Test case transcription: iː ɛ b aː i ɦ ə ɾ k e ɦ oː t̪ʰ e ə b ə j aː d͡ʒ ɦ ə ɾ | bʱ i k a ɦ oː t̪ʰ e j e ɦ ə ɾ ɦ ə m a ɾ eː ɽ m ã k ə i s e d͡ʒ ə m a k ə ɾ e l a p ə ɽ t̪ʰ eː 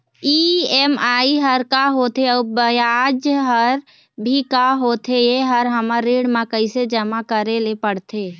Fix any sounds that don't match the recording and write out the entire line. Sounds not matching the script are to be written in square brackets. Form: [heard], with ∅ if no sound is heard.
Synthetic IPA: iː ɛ [m] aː i ɦ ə ɾ k [a] ɦ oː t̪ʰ e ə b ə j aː d͡ʒ ɦ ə ɾ | bʱ i k a ɦ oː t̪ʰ e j e ɦ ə ɾ ɦ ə m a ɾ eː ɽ m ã k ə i s e d͡ʒ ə m a k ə ɾ e l [e] p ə ɽ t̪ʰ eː